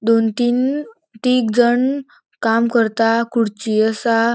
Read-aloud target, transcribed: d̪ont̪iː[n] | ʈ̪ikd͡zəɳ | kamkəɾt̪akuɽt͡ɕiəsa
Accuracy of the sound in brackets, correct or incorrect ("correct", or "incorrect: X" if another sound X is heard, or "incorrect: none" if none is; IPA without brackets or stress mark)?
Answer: correct